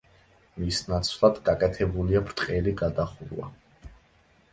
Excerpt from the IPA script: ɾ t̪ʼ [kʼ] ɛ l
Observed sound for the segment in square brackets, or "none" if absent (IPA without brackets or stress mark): qʼ